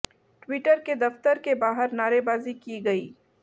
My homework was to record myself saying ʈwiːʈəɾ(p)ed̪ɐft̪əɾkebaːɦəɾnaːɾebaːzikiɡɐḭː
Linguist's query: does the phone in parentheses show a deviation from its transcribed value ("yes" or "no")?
yes